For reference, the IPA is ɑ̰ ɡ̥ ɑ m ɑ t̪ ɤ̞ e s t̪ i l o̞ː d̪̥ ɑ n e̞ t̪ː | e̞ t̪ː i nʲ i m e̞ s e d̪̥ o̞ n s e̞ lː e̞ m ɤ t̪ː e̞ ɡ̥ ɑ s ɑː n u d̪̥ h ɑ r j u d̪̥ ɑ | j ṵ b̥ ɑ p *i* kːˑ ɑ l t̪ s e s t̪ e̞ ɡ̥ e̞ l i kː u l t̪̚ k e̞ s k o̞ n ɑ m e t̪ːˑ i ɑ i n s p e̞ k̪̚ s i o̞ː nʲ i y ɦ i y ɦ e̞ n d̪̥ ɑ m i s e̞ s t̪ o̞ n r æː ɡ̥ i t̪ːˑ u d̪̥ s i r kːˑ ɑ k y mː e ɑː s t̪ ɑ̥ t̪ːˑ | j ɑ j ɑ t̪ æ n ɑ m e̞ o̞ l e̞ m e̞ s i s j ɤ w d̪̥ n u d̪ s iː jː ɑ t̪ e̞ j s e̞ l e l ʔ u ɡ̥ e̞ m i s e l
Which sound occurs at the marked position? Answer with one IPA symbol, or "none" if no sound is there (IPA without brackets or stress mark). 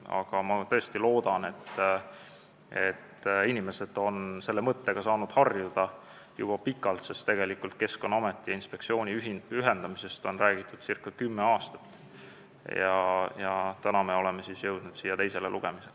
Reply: i